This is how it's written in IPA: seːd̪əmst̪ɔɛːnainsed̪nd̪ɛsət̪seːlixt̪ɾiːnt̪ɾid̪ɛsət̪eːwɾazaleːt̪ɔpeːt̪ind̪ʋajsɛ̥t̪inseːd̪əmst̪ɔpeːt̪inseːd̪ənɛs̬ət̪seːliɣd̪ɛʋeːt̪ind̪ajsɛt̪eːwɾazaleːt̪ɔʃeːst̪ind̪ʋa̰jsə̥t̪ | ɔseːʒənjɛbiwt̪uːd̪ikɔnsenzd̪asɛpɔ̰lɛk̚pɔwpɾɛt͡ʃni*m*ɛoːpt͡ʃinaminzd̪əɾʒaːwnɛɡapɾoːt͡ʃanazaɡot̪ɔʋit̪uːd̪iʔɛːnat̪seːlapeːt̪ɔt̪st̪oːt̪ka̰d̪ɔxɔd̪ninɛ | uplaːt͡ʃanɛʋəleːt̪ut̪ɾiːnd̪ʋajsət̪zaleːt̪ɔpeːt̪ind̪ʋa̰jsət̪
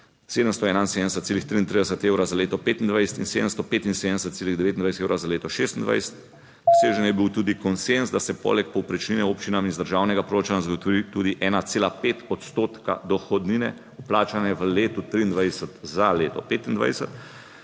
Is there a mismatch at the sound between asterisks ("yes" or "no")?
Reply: yes